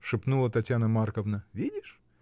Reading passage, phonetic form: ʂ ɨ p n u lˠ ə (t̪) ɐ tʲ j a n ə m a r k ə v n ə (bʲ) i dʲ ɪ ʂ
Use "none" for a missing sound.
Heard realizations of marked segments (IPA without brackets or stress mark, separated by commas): t̪, vʲ